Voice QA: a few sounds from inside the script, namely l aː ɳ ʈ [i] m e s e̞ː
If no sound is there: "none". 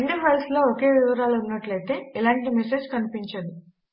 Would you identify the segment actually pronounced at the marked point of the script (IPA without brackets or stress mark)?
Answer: i